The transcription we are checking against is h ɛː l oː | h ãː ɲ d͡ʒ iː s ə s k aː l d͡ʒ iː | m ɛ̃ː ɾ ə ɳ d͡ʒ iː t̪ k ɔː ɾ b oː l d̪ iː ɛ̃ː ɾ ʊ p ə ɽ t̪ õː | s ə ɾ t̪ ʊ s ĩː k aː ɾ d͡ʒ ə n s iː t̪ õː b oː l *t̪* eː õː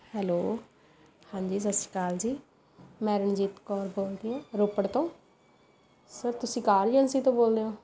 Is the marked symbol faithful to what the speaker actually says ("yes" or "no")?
no